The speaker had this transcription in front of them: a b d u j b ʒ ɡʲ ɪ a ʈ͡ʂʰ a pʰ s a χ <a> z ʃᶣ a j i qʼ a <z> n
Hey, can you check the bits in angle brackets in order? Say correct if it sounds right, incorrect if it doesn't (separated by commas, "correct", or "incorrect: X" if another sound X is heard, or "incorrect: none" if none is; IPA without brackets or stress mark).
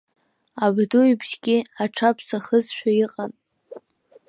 incorrect: ə, incorrect: none